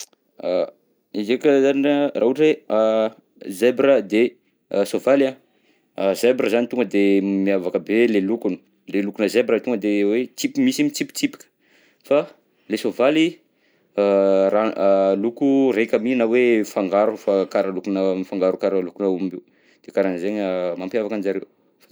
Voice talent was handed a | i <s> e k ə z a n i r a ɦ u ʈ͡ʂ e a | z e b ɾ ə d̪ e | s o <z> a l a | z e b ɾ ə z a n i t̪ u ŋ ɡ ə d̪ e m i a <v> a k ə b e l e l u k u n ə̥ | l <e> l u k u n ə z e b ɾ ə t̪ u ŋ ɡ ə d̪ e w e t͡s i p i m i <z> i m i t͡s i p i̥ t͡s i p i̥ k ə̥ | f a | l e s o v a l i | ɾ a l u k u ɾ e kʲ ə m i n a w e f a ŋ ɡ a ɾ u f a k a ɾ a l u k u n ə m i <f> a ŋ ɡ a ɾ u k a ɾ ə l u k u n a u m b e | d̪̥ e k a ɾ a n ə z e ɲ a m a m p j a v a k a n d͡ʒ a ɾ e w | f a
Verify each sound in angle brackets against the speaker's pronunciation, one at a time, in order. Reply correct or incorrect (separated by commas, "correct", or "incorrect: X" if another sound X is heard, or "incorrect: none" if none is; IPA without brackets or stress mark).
incorrect: z, incorrect: v, correct, correct, incorrect: s, correct